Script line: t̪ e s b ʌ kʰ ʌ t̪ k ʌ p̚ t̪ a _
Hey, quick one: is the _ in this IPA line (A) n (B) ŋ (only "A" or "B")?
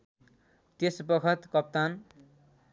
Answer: A